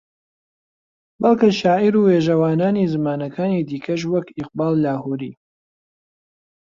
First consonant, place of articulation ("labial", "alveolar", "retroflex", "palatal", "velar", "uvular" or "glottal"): labial